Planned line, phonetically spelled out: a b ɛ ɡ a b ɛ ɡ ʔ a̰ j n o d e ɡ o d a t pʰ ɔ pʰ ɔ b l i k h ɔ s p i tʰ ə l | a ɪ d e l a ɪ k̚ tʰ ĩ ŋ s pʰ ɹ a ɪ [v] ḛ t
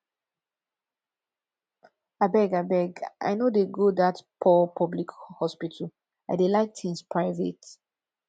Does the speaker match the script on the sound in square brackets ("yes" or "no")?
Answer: yes